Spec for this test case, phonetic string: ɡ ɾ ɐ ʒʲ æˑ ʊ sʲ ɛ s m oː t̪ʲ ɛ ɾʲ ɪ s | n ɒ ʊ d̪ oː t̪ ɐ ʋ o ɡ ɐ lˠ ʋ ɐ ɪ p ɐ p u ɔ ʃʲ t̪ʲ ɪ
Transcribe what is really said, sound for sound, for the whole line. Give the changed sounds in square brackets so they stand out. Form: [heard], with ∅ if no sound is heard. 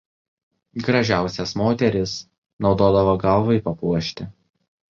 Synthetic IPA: ɡ ɾ ɐ ʒʲ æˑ ʊ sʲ ɛ s m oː t̪ʲ ɛ ɾʲ ɪ s | n ɒ ʊ d̪ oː [d̪] ɐ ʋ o ɡ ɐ lˠ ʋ ɐ ɪ p ɐ p u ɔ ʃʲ t̪ʲ ɪ